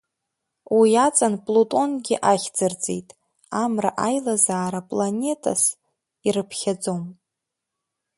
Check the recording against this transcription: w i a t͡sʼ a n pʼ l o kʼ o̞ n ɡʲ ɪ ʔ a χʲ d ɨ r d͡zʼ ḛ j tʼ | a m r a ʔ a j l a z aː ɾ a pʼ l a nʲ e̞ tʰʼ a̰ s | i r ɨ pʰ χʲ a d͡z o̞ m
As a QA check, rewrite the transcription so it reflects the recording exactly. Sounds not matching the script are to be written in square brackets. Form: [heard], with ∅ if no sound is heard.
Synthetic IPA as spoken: w i a t͡sʼ a n pʼ l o [tʼ] o̞ n ɡʲ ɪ ʔ a χʲ [d͡z] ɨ r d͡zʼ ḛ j tʼ | a m r a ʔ a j l a z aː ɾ a pʼ l a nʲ e̞ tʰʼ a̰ s | i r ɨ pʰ χʲ a d͡z o̞ m